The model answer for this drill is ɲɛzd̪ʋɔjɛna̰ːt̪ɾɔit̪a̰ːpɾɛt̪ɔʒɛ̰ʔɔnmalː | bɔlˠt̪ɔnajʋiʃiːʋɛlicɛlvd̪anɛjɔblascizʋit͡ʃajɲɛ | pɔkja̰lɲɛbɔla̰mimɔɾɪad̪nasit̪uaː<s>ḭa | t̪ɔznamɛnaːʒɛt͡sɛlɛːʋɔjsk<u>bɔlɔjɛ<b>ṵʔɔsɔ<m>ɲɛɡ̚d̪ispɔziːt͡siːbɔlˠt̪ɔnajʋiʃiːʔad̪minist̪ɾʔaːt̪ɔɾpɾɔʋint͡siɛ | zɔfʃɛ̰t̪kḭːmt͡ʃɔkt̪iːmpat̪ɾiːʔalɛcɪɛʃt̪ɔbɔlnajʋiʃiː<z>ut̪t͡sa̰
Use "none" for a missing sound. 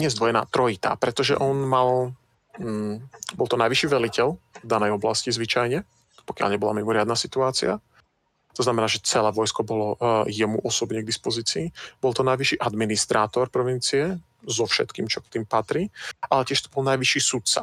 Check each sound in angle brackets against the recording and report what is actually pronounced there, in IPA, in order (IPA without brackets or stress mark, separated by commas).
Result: t͡s, ɔ, m, b, s